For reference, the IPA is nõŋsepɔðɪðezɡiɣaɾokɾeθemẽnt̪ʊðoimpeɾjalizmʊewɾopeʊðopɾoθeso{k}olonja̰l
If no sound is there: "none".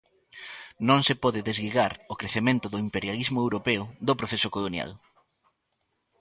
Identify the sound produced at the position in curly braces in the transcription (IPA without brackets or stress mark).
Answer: k